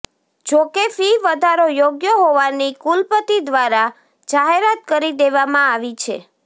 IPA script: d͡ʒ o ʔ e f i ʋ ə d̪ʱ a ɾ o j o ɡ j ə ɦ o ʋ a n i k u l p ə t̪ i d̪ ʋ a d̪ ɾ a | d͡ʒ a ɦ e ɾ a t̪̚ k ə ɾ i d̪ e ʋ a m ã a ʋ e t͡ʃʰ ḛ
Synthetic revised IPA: d͡ʒ o k e f i ʋ ə d̪ʱ a ɾ o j o ɡ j ə ɦ o ʋ a n i k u l p ə t̪ i d̪ ʋ a ɾ a | d͡ʒ a ɦ e ɾ a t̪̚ k ə ɾ i d̪ e ʋ a m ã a ʋ i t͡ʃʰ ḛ